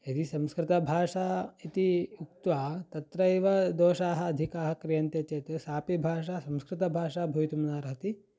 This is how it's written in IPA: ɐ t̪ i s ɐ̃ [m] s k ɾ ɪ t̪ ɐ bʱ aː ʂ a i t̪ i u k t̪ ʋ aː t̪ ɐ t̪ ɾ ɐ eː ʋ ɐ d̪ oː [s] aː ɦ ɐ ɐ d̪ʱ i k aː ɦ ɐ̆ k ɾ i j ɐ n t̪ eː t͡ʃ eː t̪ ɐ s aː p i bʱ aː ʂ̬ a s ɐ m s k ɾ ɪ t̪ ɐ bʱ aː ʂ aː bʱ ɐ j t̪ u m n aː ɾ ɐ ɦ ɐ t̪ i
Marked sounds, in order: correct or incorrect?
correct, incorrect

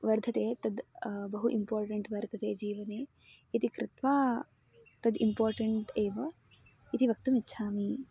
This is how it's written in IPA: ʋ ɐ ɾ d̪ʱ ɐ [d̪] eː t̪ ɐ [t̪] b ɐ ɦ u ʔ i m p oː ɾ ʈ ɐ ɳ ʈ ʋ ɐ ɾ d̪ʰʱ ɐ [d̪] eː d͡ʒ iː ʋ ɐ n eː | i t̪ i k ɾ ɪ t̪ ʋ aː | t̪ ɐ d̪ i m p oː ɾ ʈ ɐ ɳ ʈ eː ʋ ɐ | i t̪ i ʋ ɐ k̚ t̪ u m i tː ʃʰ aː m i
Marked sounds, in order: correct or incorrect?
incorrect, incorrect, incorrect

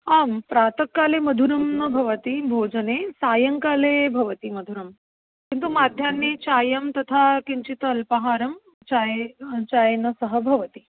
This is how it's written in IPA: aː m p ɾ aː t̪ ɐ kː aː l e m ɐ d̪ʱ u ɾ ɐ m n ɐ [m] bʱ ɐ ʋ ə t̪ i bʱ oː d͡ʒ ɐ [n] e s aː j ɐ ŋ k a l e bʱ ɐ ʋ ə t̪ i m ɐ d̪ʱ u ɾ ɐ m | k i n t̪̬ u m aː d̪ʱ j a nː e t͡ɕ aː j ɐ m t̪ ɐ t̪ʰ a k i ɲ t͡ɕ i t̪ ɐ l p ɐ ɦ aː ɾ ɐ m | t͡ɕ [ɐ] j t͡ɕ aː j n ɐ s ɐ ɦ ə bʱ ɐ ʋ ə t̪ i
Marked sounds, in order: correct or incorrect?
incorrect, correct, incorrect

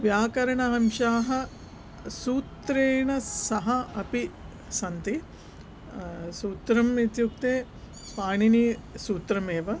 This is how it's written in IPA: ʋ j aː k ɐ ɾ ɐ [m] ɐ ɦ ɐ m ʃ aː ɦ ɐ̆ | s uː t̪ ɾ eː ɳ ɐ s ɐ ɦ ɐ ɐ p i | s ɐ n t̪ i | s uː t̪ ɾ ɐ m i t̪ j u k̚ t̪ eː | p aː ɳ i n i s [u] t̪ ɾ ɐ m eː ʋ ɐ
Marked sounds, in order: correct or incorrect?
incorrect, incorrect

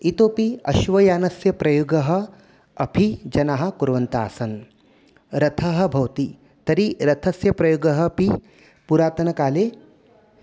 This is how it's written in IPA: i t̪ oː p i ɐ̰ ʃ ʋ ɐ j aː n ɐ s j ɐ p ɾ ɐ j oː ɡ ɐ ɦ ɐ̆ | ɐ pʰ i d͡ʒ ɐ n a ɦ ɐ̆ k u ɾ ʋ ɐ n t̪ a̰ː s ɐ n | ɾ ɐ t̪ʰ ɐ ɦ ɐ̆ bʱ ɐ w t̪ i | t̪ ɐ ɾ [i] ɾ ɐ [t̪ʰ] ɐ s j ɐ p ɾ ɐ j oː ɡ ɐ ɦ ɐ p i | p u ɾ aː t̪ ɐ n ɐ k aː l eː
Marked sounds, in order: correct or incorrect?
correct, correct

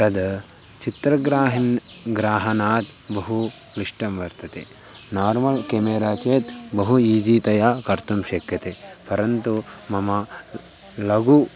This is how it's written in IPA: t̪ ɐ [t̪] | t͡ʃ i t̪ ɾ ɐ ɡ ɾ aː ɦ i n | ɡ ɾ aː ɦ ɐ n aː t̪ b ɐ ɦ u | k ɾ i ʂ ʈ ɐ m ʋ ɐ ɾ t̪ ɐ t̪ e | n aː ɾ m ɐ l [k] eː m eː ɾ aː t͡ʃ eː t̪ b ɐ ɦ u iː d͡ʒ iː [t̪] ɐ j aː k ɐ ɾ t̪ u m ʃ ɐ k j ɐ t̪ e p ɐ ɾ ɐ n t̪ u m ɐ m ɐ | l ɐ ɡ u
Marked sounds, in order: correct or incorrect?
incorrect, correct, correct

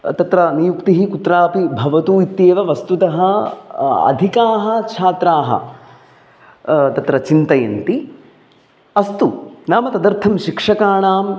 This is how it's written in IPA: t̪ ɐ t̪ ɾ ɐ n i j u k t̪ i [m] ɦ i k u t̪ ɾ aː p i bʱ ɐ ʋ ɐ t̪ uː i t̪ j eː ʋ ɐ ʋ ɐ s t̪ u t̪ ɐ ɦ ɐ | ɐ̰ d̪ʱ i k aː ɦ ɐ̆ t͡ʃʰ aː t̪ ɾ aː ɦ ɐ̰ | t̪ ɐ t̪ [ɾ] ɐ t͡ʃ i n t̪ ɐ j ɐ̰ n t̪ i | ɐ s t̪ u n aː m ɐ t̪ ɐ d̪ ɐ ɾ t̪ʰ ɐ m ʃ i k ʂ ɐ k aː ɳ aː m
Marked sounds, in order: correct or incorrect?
incorrect, correct

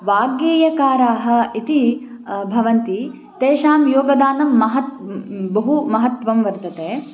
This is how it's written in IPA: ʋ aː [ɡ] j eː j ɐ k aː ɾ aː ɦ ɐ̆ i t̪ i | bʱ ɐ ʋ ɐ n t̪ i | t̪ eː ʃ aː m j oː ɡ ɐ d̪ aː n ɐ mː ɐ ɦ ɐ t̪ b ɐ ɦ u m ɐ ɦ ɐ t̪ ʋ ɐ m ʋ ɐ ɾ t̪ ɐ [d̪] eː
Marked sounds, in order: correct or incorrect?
correct, incorrect

